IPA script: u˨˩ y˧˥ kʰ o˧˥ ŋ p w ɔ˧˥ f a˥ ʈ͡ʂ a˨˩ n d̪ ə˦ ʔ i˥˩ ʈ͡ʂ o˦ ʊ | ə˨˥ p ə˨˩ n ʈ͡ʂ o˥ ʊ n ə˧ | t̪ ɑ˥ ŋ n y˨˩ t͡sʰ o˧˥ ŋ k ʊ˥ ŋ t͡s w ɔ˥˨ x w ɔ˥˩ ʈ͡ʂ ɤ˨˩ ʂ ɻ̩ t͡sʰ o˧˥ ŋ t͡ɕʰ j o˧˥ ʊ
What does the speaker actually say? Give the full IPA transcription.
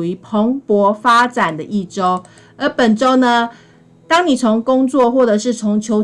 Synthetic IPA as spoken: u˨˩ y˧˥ pʰ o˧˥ ŋ p w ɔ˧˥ f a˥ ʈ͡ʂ a˨˩ n d̪ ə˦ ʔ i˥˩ ʈ͡ʂ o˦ ʊ | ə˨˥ p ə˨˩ n ʈ͡ʂ o˥ ʊ n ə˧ | t̪ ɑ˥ ŋ n i˨˩ t͡sʰ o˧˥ ŋ k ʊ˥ ŋ t͡s w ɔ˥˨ x w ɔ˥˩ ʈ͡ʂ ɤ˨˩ ʂ ɻ̩ t͡sʰ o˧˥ ŋ t͡ɕʰ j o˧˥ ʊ

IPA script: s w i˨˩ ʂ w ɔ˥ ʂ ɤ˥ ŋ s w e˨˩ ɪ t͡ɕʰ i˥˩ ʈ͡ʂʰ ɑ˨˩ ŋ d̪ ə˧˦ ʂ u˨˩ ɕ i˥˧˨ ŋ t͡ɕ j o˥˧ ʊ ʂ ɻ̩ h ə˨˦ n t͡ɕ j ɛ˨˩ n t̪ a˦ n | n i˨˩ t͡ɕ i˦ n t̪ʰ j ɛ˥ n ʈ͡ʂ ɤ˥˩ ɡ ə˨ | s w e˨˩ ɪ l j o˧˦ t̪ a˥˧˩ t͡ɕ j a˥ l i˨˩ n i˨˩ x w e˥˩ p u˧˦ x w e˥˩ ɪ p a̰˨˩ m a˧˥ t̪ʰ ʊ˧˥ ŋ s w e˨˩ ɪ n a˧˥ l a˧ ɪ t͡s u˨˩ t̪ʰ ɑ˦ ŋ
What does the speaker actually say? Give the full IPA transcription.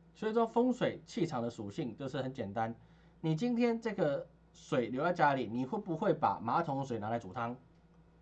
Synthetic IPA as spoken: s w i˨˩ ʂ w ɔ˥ f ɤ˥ ŋ s w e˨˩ ɪ t͡ɕʰ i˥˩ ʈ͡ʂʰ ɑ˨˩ ŋ d̪ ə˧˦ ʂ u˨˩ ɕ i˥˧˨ ŋ t͡ɕ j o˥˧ ʊ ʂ ɻ̩ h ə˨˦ n t͡ɕ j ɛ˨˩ n t̪ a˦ n | n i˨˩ t͡ɕ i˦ n t̪ʰ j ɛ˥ n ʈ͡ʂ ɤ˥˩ ɡ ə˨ | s w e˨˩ ɪ l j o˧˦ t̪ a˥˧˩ t͡ɕ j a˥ l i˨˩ n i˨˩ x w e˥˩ p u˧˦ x w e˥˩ ɪ p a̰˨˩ m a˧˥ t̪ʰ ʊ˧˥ ŋ s w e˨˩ ɪ n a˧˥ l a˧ ɪ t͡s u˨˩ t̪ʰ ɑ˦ ŋ

